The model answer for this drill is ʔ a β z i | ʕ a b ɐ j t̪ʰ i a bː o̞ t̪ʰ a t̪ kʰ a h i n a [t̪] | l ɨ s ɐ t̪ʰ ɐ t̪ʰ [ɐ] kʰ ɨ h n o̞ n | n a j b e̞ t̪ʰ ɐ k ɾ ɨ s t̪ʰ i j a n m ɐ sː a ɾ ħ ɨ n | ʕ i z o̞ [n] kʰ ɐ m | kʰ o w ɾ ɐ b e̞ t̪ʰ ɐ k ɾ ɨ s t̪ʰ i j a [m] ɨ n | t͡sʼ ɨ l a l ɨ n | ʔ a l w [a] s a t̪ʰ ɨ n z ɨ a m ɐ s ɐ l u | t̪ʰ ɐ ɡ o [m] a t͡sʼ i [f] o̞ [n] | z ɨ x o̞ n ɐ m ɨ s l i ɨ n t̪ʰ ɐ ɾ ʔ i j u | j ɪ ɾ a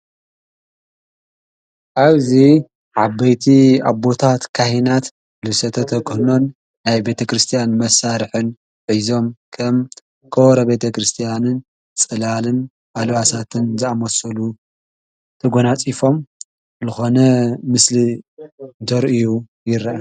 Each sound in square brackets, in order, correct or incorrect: correct, correct, incorrect: m, incorrect: n, correct, incorrect: n, correct, incorrect: m

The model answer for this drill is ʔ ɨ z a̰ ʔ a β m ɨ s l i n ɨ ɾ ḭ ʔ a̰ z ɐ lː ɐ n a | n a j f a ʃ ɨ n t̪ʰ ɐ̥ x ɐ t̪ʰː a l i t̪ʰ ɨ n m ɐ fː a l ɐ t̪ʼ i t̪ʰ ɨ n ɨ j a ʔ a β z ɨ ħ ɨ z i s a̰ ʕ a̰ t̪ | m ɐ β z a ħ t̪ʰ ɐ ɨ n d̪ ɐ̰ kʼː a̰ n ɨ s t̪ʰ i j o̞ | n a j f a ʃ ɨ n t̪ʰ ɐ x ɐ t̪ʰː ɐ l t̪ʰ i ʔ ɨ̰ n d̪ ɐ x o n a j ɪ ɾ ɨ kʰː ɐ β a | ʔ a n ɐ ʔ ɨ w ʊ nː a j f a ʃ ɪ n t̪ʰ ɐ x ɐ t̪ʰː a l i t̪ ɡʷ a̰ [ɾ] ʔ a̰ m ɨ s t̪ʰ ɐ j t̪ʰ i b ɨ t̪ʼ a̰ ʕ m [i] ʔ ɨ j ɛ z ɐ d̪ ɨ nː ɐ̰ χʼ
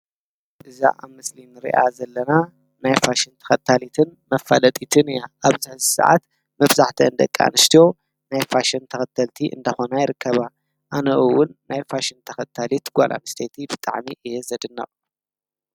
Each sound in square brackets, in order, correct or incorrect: incorrect: l, correct

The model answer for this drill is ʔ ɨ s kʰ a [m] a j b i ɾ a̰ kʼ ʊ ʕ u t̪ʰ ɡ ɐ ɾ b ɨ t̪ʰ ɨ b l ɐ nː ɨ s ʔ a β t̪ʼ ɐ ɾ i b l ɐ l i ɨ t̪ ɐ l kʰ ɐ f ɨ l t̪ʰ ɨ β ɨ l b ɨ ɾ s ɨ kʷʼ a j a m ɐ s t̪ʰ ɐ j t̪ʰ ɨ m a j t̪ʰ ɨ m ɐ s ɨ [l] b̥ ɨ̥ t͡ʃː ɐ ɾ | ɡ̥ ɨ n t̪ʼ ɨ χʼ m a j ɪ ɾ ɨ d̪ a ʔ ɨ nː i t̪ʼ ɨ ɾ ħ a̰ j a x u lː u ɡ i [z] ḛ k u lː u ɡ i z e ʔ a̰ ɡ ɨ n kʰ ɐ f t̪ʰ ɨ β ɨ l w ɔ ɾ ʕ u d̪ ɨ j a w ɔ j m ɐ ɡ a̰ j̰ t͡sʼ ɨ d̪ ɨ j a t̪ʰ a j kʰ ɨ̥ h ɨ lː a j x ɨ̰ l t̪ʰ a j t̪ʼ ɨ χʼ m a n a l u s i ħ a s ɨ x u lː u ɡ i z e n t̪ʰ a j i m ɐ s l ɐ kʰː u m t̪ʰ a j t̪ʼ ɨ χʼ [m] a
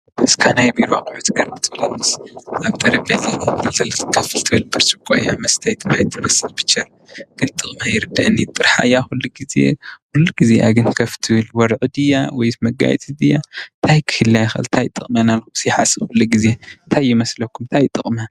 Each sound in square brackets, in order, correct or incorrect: incorrect: n, correct, correct, correct

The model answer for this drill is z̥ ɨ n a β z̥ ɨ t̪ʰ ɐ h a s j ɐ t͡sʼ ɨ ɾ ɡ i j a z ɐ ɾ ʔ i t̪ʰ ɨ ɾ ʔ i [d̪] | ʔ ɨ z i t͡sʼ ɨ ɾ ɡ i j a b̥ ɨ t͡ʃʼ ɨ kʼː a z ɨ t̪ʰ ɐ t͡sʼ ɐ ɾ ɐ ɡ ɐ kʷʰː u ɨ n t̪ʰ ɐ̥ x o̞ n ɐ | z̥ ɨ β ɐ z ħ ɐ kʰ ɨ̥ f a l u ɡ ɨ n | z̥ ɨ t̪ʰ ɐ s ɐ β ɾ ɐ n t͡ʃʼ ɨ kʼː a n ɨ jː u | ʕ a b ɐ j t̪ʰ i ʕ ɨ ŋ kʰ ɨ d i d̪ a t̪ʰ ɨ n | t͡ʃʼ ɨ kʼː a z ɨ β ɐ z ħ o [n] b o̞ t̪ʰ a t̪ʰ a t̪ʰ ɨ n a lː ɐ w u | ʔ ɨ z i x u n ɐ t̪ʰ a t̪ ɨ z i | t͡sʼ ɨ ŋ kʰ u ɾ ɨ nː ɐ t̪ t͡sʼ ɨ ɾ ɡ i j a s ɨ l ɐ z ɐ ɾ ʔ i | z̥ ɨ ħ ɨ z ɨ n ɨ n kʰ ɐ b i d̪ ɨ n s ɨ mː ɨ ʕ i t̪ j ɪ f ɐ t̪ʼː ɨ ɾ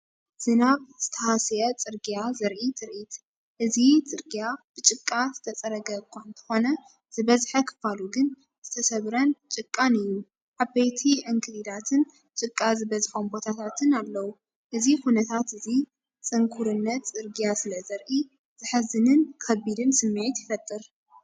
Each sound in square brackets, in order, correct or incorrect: incorrect: t̪, incorrect: m

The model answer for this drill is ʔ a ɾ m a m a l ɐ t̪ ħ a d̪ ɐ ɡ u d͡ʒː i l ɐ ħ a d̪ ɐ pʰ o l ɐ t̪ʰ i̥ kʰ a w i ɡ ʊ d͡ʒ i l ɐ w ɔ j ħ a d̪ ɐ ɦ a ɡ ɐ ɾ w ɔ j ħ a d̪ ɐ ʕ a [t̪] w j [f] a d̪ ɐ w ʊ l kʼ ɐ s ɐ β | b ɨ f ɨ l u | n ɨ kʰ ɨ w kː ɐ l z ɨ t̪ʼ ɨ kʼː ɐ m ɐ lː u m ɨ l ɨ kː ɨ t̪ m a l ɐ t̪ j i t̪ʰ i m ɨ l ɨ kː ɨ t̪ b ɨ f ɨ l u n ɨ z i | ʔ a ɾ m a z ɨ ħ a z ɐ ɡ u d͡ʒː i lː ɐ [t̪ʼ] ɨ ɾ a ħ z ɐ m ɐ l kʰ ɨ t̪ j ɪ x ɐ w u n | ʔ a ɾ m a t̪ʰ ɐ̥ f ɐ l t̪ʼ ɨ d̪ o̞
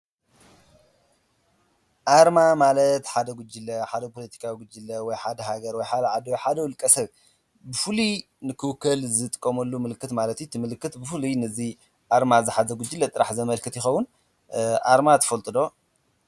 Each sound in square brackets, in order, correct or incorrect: incorrect: d̪, incorrect: ħ, correct

